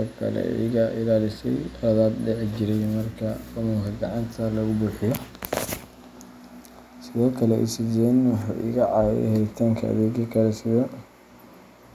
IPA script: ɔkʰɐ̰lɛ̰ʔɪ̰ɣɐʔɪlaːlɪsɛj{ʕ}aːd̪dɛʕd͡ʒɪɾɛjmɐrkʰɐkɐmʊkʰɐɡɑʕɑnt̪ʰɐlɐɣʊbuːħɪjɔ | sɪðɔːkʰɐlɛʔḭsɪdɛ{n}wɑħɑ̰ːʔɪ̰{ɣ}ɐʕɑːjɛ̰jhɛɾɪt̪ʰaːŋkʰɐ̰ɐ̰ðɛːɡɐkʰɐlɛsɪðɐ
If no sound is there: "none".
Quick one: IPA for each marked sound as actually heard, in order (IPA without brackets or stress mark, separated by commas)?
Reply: ð, n, ɣ